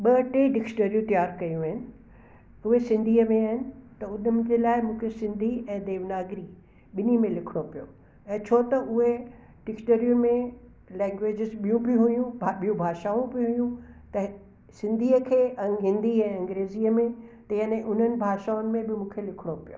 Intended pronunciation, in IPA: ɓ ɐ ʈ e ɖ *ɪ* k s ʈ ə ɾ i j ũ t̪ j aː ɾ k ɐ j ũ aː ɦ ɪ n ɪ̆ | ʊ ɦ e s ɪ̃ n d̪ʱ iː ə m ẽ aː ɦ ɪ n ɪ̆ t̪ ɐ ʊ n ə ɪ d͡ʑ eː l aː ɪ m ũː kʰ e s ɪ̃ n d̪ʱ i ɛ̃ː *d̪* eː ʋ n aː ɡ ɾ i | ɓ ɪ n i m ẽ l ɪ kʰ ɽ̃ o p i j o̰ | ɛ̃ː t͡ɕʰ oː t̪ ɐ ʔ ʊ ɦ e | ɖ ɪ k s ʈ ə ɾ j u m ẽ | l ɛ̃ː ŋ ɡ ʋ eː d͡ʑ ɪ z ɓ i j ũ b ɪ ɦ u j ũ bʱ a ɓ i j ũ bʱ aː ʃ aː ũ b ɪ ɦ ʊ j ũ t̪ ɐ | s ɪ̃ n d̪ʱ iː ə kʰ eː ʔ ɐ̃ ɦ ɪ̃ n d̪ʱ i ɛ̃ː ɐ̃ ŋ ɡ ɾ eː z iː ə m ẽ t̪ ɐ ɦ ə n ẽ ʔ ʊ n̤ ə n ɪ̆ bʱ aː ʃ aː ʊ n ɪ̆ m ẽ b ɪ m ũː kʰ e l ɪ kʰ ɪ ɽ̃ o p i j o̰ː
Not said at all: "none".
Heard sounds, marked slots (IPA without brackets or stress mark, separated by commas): ɪ, d̪